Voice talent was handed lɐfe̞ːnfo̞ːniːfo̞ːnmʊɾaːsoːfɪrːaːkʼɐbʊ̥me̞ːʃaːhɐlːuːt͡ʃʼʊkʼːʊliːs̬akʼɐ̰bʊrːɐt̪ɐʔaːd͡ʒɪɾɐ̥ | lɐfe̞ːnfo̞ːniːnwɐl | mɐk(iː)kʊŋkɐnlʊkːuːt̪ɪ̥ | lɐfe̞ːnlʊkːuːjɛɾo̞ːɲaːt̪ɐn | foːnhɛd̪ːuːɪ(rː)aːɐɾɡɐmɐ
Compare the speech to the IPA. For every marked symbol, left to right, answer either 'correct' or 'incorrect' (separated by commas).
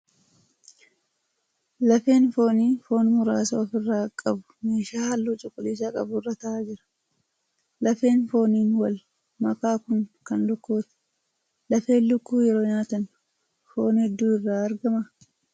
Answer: incorrect, correct